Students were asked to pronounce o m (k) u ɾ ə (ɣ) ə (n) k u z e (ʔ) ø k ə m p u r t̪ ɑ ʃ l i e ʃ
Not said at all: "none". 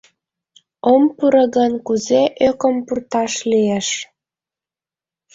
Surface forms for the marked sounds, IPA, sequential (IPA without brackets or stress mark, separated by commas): p, ɣ, n, ʔ